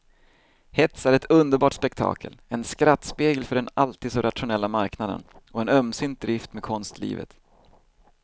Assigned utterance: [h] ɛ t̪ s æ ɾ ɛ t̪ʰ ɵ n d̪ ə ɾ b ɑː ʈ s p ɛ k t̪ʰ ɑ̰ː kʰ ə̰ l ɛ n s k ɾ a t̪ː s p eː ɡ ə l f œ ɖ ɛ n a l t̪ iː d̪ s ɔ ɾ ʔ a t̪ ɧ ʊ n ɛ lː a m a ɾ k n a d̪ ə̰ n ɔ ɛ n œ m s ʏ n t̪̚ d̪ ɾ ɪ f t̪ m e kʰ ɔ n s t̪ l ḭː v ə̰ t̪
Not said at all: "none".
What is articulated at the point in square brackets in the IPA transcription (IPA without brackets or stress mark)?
h